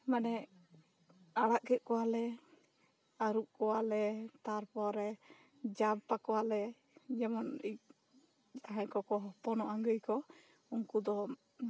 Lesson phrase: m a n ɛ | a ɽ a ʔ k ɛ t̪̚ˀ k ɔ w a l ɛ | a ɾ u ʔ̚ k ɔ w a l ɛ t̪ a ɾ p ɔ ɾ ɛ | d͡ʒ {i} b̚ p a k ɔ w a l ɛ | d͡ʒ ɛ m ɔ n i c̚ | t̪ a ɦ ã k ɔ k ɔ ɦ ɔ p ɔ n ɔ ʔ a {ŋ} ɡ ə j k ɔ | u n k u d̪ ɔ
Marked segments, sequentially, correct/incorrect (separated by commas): incorrect, correct